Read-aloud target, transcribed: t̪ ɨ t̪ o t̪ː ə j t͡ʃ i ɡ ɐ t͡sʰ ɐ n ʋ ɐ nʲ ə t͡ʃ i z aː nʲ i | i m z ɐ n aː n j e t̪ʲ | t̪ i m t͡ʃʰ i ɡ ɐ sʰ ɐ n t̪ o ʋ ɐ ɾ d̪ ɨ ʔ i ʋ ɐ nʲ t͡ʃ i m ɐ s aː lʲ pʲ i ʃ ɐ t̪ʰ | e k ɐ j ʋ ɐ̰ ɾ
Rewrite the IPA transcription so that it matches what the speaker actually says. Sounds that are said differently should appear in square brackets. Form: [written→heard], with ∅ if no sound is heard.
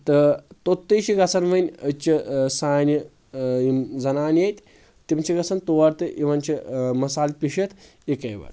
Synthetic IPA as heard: t̪ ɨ t̪ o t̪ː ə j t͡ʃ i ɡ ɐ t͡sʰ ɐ n ʋ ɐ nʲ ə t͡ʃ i [z→s] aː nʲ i | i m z ɐ n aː n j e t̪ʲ | t̪ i m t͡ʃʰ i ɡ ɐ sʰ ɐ n t̪ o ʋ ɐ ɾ [d̪→t̪] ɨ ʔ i ʋ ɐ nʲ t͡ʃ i m ɐ s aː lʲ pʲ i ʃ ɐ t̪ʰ | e k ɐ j ʋ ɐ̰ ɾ